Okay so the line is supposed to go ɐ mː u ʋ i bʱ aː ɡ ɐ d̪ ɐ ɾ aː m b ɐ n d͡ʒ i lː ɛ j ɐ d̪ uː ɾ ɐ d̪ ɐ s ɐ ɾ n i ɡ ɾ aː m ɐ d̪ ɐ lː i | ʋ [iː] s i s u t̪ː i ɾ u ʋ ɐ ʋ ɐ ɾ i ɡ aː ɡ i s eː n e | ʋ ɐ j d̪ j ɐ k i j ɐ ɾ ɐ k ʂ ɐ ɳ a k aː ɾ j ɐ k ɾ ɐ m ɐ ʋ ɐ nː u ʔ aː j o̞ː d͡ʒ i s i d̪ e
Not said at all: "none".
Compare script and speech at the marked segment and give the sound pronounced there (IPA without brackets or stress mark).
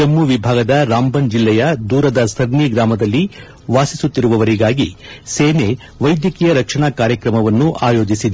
aː